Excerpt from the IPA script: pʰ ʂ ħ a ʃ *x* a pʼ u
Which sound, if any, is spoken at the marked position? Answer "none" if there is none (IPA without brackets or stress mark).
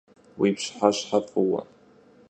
ħ